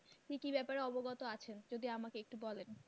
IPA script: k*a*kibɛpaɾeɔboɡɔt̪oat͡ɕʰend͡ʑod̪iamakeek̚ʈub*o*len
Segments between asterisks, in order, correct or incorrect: incorrect: i, incorrect: ɔ

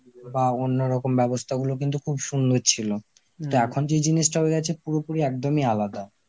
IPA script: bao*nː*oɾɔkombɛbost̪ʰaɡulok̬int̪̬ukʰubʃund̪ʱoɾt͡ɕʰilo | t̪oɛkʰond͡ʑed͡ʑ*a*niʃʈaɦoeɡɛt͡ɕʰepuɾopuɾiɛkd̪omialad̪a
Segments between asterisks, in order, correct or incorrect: correct, incorrect: i

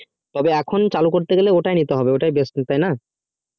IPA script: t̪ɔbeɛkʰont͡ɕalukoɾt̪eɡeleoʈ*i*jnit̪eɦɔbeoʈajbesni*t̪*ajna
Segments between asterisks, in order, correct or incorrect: incorrect: a, correct

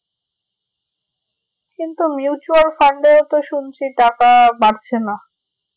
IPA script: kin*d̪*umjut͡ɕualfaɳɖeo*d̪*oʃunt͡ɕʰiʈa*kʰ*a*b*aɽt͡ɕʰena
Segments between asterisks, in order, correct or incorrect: incorrect: t̪, incorrect: t̪, incorrect: k, correct

